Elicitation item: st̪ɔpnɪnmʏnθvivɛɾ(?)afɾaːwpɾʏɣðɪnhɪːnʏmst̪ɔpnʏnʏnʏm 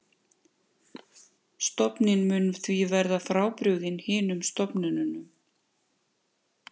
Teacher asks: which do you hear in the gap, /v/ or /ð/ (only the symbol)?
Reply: ð